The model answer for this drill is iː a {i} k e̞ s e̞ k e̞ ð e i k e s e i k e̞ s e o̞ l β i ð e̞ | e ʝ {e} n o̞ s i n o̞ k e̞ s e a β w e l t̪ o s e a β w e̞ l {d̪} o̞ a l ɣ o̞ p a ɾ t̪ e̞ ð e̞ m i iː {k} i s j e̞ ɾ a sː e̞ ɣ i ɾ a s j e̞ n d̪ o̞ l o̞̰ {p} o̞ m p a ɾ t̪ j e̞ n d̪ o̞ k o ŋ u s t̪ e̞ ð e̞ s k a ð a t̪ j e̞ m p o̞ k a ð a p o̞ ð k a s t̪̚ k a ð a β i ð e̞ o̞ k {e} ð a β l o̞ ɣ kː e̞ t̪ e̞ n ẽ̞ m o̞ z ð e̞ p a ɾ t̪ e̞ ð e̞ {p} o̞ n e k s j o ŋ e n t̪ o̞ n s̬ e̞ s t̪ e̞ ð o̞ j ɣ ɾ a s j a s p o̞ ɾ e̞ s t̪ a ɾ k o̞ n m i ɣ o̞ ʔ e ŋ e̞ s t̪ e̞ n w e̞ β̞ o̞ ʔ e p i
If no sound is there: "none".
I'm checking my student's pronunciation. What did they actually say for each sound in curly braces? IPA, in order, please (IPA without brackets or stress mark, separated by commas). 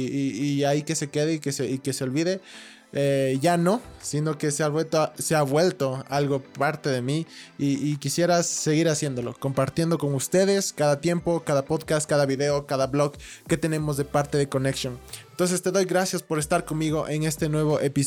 i, a, t̪, k, k, a, k